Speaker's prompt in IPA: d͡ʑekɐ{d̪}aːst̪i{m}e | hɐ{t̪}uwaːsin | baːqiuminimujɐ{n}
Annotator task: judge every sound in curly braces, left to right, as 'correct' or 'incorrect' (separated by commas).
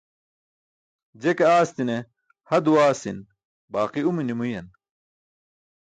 incorrect, incorrect, incorrect, correct